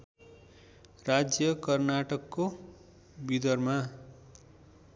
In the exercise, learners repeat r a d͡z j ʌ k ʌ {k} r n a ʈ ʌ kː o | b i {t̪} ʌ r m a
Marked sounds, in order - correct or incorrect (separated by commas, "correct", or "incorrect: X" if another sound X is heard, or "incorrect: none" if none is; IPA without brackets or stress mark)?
incorrect: none, incorrect: d̪